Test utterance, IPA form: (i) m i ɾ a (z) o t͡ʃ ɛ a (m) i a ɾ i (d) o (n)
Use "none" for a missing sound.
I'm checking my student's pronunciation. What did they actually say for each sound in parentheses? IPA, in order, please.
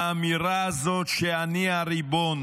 a, z, n, b, n

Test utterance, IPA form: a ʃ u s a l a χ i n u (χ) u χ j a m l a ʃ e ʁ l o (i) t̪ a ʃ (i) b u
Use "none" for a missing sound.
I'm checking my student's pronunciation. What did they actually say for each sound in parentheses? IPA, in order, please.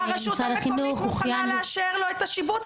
χ, e, i

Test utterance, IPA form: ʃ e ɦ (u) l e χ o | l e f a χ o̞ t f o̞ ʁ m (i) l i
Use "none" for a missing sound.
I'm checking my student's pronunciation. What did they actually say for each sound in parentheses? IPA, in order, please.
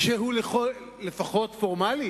u, a

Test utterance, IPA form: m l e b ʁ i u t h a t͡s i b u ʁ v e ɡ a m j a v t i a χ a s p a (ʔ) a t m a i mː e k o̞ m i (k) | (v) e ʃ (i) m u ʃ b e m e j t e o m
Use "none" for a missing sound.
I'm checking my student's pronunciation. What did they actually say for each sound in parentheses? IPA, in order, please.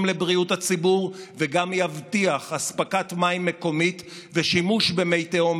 k, t, v, i

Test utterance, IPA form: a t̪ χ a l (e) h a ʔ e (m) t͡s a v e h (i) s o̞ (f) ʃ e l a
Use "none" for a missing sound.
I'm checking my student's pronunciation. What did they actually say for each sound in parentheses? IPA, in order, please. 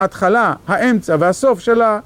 a, m, a, f

